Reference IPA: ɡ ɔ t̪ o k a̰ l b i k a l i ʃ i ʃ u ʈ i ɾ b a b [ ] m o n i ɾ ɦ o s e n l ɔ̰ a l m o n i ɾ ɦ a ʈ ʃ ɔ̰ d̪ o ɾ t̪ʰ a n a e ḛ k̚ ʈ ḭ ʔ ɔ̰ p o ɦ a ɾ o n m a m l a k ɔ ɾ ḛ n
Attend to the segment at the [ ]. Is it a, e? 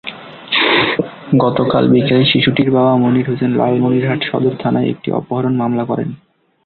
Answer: a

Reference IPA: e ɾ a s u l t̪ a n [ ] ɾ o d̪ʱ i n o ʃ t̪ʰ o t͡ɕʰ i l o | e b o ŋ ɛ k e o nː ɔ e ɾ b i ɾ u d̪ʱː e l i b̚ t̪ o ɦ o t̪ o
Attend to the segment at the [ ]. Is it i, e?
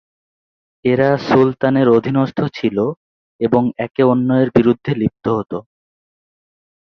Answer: e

